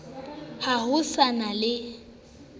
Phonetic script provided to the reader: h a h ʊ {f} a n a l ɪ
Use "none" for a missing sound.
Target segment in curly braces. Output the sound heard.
s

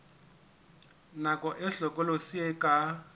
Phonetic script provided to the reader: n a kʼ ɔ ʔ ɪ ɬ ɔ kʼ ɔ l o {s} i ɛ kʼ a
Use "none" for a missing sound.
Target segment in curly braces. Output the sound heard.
s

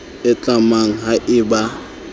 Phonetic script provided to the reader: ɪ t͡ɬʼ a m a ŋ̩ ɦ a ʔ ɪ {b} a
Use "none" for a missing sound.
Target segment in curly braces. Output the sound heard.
b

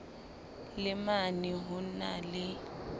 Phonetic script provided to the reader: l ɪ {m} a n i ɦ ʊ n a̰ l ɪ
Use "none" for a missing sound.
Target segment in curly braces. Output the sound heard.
m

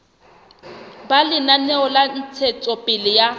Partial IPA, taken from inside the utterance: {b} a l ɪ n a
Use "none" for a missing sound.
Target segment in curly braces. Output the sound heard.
b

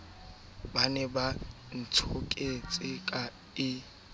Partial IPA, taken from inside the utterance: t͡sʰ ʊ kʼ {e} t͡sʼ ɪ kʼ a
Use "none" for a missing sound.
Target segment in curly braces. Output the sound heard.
e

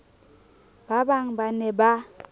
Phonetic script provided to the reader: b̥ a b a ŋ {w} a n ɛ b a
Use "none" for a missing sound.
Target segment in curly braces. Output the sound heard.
b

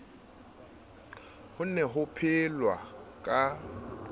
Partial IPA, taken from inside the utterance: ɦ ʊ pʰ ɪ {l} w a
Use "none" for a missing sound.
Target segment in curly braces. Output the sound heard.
l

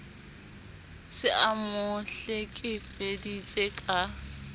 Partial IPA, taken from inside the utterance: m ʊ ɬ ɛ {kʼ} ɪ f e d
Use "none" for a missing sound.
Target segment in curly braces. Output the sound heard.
kʼ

